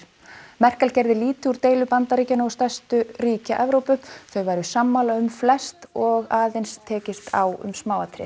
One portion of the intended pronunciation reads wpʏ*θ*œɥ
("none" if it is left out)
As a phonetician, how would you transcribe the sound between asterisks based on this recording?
θ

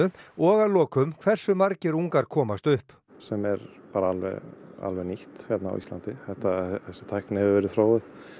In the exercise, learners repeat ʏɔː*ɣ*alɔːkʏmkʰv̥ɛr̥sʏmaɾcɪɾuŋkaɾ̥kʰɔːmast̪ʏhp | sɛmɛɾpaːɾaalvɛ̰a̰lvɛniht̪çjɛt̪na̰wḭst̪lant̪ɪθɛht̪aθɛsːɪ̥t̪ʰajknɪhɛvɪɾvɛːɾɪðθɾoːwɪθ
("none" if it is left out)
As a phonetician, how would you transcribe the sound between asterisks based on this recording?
ɣ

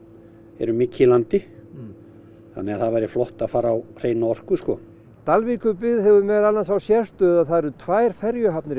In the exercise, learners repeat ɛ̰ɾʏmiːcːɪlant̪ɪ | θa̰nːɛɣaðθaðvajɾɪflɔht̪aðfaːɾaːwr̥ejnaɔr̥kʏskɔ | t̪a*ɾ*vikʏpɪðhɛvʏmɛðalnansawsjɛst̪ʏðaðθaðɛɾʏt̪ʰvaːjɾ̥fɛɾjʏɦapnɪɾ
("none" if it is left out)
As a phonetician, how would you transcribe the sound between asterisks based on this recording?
l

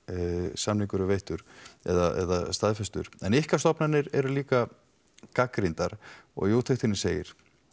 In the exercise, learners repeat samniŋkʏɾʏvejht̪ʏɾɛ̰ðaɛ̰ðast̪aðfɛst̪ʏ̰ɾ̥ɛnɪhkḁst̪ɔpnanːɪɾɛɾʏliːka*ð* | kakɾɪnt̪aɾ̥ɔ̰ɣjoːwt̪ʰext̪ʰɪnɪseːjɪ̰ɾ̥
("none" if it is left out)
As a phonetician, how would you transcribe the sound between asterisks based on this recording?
none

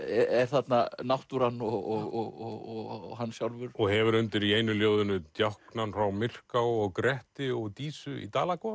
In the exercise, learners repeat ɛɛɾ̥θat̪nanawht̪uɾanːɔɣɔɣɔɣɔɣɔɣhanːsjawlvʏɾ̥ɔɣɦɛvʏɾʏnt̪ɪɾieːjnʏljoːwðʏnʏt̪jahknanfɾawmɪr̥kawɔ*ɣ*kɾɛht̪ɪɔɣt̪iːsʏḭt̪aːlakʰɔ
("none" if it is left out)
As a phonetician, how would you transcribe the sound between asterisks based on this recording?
ɣ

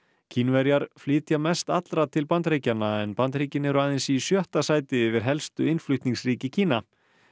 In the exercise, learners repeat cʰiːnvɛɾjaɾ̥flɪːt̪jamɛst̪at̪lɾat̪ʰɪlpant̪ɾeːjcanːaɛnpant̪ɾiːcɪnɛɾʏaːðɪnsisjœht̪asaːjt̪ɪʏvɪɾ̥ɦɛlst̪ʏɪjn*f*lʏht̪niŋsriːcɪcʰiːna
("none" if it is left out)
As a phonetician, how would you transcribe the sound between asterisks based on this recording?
f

